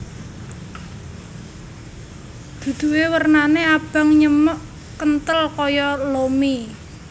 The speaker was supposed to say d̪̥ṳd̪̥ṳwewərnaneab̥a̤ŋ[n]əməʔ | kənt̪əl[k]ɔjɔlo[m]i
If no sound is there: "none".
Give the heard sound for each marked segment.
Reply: ɲ, k, m

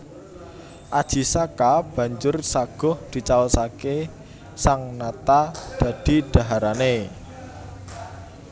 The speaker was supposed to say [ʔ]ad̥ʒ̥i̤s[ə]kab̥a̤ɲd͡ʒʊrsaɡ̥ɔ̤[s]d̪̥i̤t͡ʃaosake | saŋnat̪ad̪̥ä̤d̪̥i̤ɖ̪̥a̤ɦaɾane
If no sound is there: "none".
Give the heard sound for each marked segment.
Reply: ʔ, a, h

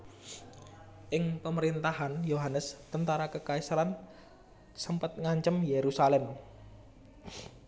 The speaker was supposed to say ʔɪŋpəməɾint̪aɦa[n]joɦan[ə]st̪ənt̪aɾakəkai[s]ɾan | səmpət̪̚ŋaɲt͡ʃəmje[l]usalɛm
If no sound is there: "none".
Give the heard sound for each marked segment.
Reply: n, ə, s, ɾ

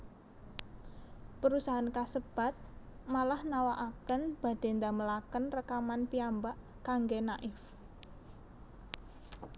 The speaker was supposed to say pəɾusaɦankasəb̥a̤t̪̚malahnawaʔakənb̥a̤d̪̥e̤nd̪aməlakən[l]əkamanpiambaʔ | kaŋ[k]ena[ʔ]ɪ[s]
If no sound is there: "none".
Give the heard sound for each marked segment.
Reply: r, ɡ, ʔ, f

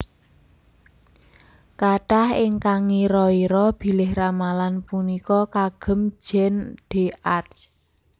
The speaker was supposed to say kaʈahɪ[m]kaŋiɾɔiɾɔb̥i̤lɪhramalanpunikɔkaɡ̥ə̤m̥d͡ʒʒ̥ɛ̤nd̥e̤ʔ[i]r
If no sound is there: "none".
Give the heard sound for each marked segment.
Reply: ŋ, a

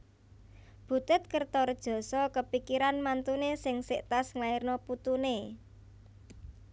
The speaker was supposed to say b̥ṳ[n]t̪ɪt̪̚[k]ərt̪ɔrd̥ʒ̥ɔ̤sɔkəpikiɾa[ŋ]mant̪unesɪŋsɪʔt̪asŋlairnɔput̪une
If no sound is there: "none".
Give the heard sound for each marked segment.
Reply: none, k, n

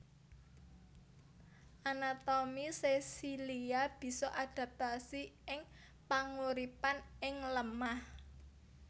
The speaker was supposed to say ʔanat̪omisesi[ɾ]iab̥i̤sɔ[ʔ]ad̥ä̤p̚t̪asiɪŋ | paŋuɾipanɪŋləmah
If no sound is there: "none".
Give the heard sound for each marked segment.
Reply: l, ʔ

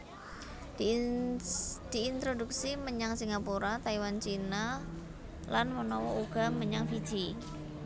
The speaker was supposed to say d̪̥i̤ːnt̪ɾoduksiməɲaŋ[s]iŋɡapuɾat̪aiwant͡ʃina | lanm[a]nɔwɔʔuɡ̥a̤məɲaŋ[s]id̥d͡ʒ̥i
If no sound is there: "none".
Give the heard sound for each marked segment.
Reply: s, ə, f

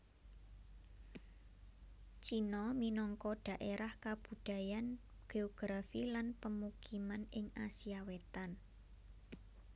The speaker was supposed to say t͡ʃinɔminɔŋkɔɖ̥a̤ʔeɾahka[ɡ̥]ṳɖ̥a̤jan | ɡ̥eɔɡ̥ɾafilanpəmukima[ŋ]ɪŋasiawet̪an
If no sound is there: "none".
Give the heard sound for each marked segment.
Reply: b̥, n

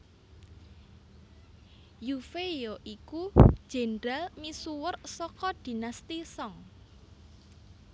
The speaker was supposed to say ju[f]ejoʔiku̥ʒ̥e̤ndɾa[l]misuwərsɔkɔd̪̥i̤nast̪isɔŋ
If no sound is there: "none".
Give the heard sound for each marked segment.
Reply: f, l

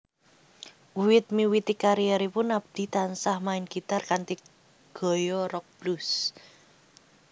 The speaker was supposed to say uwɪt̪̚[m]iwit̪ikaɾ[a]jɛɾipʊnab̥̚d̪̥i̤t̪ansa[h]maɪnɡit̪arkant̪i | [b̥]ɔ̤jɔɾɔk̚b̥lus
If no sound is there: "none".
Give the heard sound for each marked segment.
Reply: m, i, h, ɡ̥

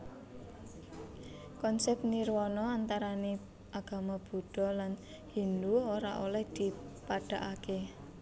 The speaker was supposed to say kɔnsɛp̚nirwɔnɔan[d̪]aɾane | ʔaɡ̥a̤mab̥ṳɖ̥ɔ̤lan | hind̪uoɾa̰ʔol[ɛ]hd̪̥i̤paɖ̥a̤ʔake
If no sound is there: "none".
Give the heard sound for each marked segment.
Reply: t̪, ɛ

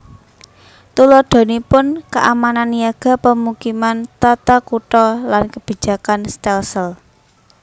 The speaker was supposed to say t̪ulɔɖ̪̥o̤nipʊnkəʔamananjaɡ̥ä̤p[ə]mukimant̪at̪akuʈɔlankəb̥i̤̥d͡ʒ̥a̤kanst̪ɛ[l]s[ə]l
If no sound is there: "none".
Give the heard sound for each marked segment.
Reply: ə, l, ə

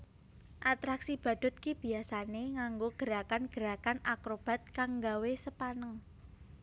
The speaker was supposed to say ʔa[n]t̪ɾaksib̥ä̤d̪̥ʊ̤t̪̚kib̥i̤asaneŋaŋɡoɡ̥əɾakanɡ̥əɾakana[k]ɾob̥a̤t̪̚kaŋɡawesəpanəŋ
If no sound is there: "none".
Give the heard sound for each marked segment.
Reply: none, k

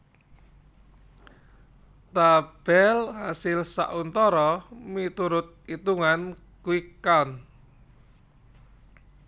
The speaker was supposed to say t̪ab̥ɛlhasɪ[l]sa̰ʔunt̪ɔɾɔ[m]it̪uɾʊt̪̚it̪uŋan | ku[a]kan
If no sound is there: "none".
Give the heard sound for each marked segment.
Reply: l, m, i

